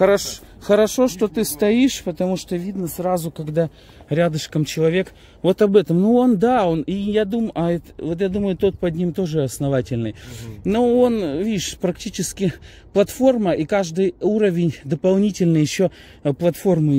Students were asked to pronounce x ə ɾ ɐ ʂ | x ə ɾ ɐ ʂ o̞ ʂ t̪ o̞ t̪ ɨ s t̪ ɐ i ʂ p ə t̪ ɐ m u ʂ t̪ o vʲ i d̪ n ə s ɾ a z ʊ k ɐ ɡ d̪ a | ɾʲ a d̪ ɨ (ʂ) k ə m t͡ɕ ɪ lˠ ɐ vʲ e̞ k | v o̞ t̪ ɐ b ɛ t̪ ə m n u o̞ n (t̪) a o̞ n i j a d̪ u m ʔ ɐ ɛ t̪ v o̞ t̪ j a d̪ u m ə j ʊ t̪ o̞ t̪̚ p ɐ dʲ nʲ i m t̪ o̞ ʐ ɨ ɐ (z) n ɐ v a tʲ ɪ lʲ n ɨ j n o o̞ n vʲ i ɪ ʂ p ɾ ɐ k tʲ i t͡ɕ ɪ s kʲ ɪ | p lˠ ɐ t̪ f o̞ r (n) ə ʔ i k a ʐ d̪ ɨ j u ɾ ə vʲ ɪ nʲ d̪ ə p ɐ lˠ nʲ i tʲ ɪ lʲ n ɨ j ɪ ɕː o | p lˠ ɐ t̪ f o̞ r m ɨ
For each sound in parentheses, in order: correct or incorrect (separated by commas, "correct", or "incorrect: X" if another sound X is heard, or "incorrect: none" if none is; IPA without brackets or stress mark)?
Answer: correct, incorrect: d̪, incorrect: s, incorrect: m